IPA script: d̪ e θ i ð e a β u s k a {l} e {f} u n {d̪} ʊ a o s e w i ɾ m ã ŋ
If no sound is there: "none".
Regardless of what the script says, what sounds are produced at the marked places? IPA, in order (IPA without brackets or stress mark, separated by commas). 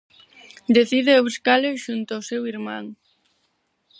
l, ʃ, t̪